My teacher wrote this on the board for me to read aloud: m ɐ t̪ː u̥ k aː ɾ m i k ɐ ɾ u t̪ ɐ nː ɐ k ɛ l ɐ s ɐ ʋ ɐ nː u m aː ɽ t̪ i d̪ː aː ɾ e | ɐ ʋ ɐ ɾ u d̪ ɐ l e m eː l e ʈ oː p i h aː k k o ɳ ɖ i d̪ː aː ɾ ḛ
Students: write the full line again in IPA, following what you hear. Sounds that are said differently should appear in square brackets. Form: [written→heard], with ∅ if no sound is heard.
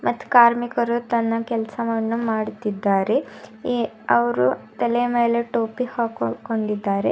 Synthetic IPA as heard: m ɐ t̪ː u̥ k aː ɾ m i k ɐ ɾ u t̪ ɐ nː ɐ k ɛ l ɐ s ɐ ʋ ɐ nː u m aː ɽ t̪ i d̪ː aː ɾ e | ɐ ʋ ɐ ɾ u [d̪→t̪] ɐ l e m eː l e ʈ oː p i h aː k k o ɳ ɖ i d̪ː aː ɾ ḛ

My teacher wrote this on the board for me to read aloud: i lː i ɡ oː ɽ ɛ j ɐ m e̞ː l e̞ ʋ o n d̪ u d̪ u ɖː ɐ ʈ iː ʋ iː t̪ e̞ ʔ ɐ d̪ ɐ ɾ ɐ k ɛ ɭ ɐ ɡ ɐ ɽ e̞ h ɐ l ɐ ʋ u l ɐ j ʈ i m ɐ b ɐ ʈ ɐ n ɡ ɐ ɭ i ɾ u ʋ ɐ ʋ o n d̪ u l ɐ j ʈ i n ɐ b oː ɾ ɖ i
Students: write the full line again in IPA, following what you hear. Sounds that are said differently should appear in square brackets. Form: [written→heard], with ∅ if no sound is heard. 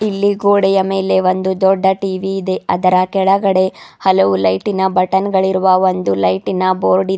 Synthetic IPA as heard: i lː i ɡ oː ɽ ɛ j ɐ m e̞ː l e̞ ʋ o n d̪ u d̪ [u→ɔ] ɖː ɐ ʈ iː ʋ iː [t̪→d̪] e̞ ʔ ɐ d̪ ɐ ɾ ɐ k ɛ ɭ ɐ ɡ ɐ ɽ e̞ h ɐ l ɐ ʋ u l ɐ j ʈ i [m→n] ɐ b ɐ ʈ ɐ n ɡ ɐ ɭ i ɾ u ʋ ɐ ʋ o n d̪ u l ɐ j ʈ i n ɐ b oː ɾ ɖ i

